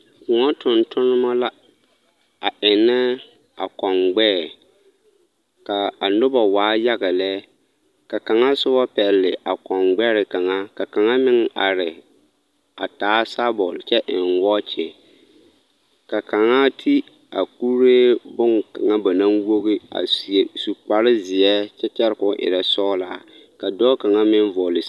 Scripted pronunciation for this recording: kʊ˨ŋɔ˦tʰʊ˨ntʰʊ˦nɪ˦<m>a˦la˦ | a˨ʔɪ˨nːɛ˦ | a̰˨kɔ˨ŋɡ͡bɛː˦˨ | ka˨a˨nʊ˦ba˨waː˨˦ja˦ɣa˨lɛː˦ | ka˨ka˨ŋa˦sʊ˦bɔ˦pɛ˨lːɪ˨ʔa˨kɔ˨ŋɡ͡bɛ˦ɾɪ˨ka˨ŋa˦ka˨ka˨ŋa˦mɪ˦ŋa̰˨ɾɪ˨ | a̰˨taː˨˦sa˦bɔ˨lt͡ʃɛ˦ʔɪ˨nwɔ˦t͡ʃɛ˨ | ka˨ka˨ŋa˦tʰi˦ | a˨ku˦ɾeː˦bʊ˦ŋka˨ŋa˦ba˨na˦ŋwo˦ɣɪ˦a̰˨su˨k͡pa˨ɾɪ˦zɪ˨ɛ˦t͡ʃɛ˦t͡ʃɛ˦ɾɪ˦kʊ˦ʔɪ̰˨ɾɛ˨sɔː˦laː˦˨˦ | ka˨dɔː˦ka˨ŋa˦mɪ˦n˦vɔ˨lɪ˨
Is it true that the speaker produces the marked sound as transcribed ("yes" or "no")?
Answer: yes